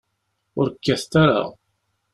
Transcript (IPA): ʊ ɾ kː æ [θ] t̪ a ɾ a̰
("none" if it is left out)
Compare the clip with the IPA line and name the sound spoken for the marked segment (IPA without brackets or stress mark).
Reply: θ